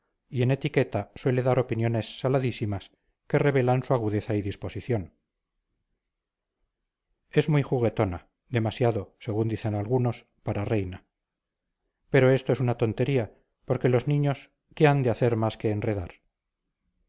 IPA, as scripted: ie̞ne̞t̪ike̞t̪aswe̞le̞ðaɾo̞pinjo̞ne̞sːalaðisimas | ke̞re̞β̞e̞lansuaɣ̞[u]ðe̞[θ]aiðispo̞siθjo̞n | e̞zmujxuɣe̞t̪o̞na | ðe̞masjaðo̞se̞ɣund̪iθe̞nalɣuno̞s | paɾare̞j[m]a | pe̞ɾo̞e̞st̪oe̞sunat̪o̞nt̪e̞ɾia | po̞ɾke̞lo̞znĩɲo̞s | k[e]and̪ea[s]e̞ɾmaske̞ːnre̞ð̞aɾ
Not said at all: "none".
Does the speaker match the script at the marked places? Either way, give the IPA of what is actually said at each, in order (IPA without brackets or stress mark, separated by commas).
u, θ, n, e, θ